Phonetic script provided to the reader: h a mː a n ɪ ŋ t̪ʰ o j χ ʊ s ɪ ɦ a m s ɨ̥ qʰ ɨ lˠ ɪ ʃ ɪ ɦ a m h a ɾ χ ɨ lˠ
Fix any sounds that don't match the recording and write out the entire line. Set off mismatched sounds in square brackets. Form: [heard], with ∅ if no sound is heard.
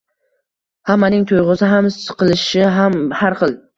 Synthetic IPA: h a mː a n ɪ ŋ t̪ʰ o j [ʁ] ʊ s ɪ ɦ a m s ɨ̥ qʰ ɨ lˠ ɪ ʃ ɪ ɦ a m h a ɾ χ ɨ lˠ

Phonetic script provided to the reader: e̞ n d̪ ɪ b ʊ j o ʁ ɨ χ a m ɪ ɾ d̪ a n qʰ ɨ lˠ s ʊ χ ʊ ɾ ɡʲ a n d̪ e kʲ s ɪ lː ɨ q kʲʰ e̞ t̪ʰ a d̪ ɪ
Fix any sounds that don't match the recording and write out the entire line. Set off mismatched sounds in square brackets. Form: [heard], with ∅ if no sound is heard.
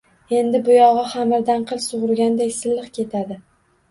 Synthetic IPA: e̞ n d̪ ɪ b ʊ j [ɒ] ʁ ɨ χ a m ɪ ɾ d̪ a n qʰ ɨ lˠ s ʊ [ʁ] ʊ ɾ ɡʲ a n d̪ e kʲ s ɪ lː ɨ q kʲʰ e̞ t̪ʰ a d̪ ɪ

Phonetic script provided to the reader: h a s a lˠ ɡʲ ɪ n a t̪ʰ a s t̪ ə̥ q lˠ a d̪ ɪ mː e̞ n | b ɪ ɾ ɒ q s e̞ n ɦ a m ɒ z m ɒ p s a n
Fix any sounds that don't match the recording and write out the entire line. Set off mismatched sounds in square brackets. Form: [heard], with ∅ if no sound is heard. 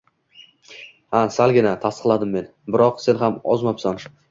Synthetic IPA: h a s a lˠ ɡʲ ɪ n a t̪ʰ a s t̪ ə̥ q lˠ a d̪ ɪ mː e̞ n | b ɪ ɾ ɒ q s e̞ n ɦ a m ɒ z m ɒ p s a n

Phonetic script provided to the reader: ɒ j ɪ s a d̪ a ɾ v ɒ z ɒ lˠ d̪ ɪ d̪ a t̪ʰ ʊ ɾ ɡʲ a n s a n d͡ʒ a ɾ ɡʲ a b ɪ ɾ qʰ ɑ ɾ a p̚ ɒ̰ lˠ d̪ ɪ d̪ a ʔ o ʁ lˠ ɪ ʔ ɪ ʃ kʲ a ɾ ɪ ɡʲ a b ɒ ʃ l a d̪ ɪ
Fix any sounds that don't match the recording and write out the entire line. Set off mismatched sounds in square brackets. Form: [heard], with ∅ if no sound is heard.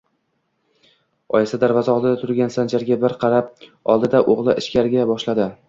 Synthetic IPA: ɒ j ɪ s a d̪ a ɾ v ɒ z ɒ lˠ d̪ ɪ d̪ a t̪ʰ ʊ ɾ ɡʲ a n s a n d͡ʒ a ɾ ɡʲ a b ɪ ɾ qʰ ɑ ɾ a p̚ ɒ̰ lˠ d̪ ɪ d̪ a ʔ o ʁ lˠ ɪ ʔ ɪ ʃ kʲ a ɾ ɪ ɡʲ a b ɒ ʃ l a d̪ ɪ

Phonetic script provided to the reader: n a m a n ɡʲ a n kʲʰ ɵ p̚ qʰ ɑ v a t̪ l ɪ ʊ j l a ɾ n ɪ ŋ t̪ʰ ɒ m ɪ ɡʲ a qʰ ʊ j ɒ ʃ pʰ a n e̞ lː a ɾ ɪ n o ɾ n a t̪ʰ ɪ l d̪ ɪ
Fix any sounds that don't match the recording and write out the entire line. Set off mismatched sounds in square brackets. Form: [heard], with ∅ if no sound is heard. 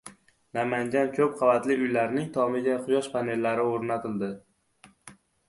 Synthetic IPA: n a m a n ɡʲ a n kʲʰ ɵ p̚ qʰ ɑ v a t̪ l ɪ ʊ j l a ɾ n ɪ ŋ t̪ʰ ɒ m ɪ ɡʲ a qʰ ʊ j ɒ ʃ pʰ a n e̞ lː a ɾ ɪ [∅] o ɾ n a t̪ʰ ɪ l d̪ ɪ

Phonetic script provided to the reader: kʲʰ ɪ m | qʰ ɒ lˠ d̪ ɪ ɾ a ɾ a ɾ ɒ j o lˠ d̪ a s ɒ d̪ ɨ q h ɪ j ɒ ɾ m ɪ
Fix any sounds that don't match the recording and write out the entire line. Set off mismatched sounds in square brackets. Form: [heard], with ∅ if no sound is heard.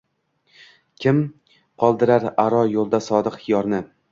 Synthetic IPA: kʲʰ ɪ m | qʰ ɒ lˠ d̪ ɪ ɾ a ɾ a ɾ ɒ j o lˠ d̪ a s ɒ d̪ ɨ q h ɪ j ɒ ɾ [n] ɪ

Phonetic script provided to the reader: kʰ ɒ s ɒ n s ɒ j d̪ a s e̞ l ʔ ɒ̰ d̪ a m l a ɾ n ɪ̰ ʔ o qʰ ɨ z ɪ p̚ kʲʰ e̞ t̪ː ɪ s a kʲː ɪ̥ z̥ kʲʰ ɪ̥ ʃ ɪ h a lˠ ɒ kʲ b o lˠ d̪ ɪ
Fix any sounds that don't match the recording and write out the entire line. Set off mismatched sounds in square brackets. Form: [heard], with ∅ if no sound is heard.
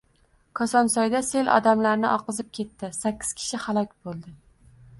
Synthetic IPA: kʰ ɒ s ɒ n s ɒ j d̪ a s e̞ l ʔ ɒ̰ d̪ a m l a ɾ n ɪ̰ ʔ [ɒ] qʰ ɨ z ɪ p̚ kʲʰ e̞ t̪ː ɪ s a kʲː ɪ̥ z̥ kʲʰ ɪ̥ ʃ ɪ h a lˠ ɒ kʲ b o lˠ d̪ ɪ

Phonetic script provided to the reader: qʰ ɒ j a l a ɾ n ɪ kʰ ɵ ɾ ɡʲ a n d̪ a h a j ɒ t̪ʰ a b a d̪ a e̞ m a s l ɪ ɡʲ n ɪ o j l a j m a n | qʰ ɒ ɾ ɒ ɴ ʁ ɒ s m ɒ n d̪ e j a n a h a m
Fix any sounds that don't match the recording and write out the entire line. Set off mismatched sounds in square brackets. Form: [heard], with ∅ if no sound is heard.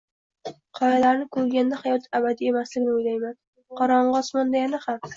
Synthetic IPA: qʰ ɒ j a l a ɾ n ɪ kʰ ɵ ɾ ɡʲ a n d̪ a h a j ɒ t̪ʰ a b a d̪ [i] e̞ m a s l ɪ ɡʲ n ɪ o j l a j m a n | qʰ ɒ ɾ ɒ ɴ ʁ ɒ s m ɒ n d̪ [a] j a n a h a m

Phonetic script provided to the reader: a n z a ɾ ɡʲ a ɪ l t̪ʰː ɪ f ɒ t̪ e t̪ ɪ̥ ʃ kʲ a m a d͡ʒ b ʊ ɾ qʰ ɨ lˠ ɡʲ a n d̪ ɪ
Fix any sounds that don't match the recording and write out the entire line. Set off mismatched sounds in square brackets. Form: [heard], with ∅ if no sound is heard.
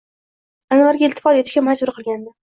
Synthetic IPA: a n [v] a ɾ ɡʲ a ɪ l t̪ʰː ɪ f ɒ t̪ e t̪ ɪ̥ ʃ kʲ a m a d͡ʒ b ʊ ɾ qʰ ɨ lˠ ɡʲ a n d̪ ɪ

